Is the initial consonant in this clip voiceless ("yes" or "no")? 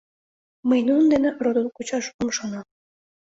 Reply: no